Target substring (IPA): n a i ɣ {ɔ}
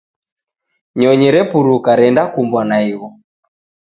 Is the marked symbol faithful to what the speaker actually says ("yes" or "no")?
yes